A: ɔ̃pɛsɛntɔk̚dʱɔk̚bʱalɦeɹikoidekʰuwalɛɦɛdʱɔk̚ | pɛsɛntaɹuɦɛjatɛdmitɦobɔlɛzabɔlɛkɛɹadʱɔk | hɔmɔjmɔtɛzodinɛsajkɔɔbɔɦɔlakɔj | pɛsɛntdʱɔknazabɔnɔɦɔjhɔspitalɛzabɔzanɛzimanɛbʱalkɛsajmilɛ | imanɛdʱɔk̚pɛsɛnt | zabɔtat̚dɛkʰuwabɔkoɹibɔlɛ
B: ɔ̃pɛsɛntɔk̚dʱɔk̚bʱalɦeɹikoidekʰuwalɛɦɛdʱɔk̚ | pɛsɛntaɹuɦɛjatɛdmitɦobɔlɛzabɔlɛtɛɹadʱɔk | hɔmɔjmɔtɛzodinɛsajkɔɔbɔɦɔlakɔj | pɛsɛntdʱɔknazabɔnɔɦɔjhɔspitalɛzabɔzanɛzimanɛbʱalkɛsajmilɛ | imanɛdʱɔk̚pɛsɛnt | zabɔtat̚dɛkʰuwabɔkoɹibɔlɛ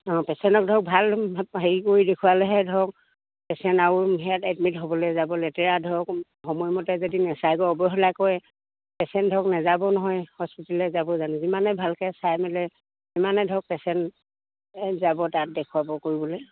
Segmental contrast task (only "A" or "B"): B